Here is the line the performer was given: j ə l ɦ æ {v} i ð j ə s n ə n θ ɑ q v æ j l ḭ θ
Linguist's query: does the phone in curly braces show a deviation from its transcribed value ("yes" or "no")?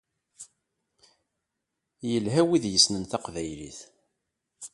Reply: yes